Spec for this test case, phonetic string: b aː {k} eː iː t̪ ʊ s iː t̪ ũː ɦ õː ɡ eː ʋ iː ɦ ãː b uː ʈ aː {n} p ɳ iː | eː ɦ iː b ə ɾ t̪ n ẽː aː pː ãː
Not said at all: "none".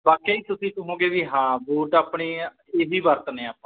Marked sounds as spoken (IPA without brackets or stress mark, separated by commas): k, none